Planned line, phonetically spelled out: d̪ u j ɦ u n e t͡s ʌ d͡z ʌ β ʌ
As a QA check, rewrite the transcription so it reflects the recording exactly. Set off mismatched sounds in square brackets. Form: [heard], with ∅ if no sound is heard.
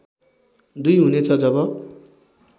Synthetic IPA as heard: d̪ u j ɦ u n e [t͡sʰ] ʌ d͡z ʌ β ʌ

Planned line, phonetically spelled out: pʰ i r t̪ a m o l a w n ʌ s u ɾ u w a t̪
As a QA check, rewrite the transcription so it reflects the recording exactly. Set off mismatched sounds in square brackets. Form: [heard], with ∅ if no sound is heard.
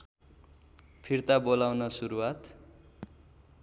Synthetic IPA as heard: pʰ i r t̪ a [b] o l a w n ʌ s u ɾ u w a t̪

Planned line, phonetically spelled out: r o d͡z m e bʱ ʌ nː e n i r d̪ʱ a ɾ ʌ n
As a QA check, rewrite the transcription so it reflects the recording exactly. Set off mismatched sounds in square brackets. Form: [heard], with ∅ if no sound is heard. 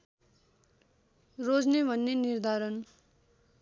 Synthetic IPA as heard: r o d͡z [n] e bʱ ʌ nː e n i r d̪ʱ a ɾ ʌ n

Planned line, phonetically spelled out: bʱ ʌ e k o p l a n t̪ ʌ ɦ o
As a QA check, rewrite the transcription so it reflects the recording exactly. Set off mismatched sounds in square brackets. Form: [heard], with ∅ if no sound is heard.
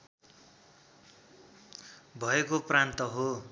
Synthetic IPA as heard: bʱ ʌ e k o p [r] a n t̪ ʌ ɦ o

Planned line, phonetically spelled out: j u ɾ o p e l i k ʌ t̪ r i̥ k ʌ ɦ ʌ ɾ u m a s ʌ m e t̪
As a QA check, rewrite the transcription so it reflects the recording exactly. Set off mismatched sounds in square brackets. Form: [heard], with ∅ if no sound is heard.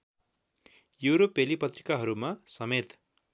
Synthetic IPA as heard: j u ɾ o p e l i [p] ʌ t̪ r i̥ k [a] ɦ ʌ ɾ u m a s ʌ m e t̪

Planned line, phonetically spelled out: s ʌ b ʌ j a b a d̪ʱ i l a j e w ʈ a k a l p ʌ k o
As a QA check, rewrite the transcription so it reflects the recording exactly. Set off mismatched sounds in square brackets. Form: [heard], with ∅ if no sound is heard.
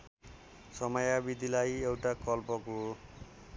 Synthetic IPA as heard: s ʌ [m] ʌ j a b [i] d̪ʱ i l a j e w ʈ a k [ʌ] l p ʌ k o

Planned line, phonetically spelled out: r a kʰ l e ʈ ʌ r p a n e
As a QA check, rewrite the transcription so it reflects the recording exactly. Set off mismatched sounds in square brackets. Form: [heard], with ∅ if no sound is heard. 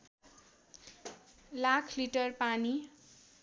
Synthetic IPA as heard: [l] a kʰ l [i] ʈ ʌ r p a n [i]

